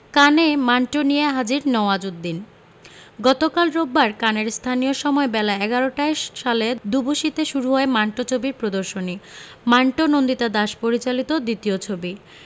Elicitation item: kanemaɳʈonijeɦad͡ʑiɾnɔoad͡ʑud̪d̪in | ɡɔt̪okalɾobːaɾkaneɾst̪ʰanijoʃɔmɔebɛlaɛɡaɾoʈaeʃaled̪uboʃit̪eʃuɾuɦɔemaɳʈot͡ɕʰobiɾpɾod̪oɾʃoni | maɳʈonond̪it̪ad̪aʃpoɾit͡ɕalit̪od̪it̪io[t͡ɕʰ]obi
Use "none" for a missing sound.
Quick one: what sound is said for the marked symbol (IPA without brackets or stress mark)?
t͡ɕʰ